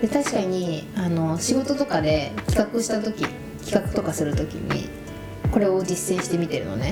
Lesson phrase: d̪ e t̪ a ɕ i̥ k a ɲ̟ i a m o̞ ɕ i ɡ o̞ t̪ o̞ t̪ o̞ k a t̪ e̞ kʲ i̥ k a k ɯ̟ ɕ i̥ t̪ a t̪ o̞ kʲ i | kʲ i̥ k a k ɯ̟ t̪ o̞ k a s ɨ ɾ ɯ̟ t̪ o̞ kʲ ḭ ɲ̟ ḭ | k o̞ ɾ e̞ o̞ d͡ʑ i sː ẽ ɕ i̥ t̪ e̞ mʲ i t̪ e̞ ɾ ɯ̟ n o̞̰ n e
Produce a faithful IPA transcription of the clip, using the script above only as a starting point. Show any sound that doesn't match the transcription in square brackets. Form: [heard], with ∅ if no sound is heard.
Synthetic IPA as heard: d̪ e t̪ a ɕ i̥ k a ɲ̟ i a [n] o̞ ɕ i ɡ o̞ t̪ o̞ t̪ o̞ k a [d̪] e̞ kʲ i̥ k a k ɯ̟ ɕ i̥ t̪ a t̪ o̞ kʲ i | kʲ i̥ k a k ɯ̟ t̪ o̞ k a s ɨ ɾ ɯ̟ t̪ o̞ kʲ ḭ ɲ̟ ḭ | k o̞ ɾ e̞ o̞ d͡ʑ i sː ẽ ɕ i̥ t̪ e̞ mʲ i t̪ e̞ ɾ ɯ̟ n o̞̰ n e